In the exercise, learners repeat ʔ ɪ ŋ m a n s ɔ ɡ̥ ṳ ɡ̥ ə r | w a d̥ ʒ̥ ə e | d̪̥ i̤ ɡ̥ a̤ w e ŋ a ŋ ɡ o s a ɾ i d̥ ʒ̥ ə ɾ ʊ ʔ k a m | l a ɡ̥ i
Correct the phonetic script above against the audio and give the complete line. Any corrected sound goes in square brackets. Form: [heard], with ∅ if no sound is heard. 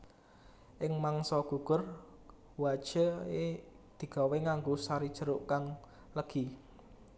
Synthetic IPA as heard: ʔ ɪ ŋ m a [ŋ] s ɔ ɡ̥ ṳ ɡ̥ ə r | w a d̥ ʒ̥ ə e | d̪̥ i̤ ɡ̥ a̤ w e ŋ a ŋ ɡ o s a ɾ i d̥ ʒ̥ ə ɾ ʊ ʔ k a [ŋ] | l [ə] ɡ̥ i